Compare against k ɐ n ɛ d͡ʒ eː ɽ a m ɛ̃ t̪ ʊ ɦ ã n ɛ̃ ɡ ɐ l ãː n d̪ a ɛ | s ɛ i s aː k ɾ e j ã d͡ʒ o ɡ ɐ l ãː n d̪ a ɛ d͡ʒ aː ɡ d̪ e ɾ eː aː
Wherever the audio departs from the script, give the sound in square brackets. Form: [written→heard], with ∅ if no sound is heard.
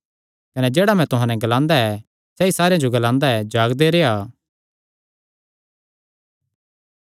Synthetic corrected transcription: k ɐ n ɛ d͡ʒ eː ɽ a m ɛ̃ t̪ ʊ ɦ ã n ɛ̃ ɡ ɐ l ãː n d̪ a ɛ | s ɛ i s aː [k→∅] ɾ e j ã d͡ʒ o ɡ ɐ l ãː n d̪ a ɛ d͡ʒ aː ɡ d̪ e ɾ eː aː